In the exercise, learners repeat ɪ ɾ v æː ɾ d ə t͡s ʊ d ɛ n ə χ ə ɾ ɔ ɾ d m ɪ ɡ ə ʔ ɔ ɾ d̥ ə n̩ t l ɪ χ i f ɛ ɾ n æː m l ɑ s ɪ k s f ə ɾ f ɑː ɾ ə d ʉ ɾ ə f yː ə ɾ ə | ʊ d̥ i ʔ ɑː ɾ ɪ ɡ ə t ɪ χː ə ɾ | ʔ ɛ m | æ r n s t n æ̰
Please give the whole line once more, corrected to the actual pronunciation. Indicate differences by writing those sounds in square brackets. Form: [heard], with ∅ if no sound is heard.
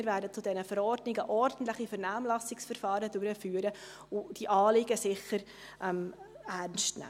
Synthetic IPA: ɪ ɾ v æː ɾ d ə t͡s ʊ d ɛ n ə [f] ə ɾ ɔ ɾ d [n] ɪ ɡ ə ʔ ɔ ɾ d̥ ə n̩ t l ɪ χ i f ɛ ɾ n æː m l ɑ s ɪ k s f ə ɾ f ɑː ɾ ə d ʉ ɾ ə f yː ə ɾ ə | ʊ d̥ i ʔ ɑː [l] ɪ ɡ ə [s] ɪ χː ə ɾ | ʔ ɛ m | æ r n s t n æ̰